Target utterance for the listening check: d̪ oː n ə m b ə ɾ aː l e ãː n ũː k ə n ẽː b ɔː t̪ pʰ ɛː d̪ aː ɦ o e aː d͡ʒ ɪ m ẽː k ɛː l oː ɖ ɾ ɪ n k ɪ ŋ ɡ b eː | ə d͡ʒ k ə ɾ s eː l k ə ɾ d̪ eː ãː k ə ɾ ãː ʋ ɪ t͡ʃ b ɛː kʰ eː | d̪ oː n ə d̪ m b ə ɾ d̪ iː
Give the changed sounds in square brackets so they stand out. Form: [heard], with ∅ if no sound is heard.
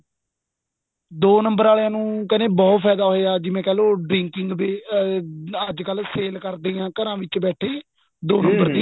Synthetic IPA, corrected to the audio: d̪ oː n ə m b ə ɾ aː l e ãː n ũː k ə n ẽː b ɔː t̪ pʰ ɛː d̪ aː ɦ o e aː d͡ʒ ɪ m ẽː k ɛː l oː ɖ ɾ ɪ [ŋ] k ɪ ŋ ɡ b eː | ə d͡ʒ k ə [l] s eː l k ə ɾ d̪ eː ãː k ə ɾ ãː ʋ ɪ t͡ʃ b ɛː [ʈʰ] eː | d̪ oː n ə [∅] m b ə ɾ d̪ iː